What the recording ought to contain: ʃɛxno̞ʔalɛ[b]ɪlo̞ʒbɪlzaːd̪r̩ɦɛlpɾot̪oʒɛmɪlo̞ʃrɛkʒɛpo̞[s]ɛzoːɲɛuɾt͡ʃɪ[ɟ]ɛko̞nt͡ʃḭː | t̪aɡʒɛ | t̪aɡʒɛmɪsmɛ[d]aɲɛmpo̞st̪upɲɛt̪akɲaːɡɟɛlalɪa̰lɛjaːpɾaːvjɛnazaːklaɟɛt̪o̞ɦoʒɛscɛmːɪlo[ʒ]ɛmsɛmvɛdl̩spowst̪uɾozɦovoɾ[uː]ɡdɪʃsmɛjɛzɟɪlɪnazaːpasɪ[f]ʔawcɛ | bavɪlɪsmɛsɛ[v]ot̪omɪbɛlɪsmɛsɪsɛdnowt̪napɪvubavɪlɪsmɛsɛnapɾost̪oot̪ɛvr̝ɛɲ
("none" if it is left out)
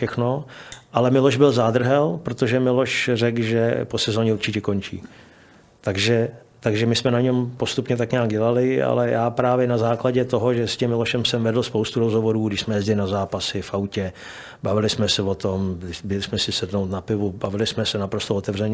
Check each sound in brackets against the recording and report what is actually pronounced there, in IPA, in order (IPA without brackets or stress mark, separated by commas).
m, s, c, n, ʃ, uː, f, v